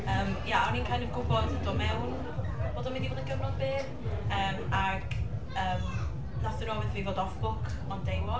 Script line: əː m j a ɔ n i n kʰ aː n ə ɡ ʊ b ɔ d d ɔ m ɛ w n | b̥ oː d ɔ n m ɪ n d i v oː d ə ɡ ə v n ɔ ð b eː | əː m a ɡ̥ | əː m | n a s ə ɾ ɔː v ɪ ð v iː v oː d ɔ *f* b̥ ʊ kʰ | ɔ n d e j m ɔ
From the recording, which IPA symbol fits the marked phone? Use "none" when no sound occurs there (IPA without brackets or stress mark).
f